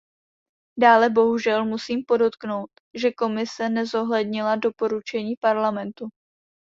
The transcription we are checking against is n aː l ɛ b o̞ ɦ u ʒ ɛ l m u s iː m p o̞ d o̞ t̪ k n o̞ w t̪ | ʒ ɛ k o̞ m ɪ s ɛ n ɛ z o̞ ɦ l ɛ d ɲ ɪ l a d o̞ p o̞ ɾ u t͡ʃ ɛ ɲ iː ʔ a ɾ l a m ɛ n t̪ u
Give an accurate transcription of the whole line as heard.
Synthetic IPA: d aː l ɛ b o̞ ɦ u ʒ ɛ l m u s iː m p o̞ d o̞ t̪ k n o̞ w t̪ | ʒ ɛ k o̞ m ɪ s ɛ n ɛ z o̞ ɦ l ɛ d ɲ ɪ l a d o̞ p o̞ ɾ u t͡ʃ ɛ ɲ iː p a ɾ l a m ɛ n t̪ u